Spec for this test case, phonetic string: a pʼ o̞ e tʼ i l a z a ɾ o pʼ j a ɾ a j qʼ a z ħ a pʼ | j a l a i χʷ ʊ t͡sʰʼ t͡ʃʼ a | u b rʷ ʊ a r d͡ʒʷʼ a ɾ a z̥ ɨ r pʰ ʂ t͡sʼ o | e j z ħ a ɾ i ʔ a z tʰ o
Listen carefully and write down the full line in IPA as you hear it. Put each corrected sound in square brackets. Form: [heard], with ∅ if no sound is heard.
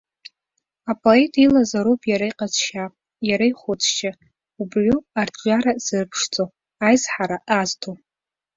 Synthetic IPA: a pʼ o̞ e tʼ i l a z a ɾ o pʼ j a ɾ a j qʼ a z [ʃ] a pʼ | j a [ɾ] a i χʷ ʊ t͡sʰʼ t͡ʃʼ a | u b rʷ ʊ a r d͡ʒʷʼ a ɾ a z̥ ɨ r pʰ ʂ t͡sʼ o | [a] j z ħ a ɾ [a] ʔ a z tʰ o